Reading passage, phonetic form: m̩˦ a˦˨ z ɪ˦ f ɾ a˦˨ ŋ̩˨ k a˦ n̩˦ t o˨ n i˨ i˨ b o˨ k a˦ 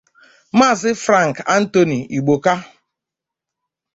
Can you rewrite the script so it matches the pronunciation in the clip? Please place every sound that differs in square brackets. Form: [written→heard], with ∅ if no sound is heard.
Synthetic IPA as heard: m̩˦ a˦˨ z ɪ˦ f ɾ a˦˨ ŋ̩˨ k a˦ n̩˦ t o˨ n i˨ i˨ [b→ɡ͡b] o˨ k a˦